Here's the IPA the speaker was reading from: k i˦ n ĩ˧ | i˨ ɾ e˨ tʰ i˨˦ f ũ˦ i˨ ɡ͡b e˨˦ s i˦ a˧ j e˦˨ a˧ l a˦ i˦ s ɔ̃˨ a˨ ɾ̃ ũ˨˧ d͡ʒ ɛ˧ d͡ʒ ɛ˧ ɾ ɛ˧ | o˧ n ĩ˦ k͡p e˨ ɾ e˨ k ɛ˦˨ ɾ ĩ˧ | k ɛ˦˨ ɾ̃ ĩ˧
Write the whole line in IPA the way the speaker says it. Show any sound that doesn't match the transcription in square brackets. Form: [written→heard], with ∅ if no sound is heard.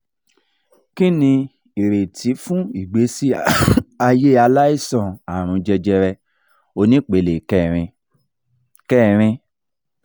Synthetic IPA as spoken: k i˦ n ĩ˧ | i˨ ɾ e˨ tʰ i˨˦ f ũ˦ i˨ ɡ͡b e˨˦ s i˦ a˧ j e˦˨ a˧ l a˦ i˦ s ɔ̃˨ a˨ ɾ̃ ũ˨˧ d͡ʒ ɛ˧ d͡ʒ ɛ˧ ɾ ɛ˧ | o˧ n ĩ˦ k͡p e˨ [ɾ→l] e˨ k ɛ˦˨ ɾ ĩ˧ | k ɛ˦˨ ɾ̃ ĩ˧